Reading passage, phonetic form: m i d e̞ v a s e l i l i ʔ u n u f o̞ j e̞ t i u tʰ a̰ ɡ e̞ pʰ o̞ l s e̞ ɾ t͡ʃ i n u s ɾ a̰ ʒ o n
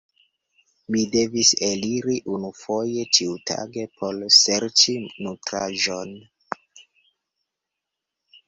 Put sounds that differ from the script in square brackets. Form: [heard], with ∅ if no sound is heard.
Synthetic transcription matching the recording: m i d e̞ v [i] s e l i [ɾ] i ʔ u n u f o̞ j e̞ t i u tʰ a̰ ɡ e̞ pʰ o̞ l s e̞ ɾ t͡ʃ i n u [t] ɾ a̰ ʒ o n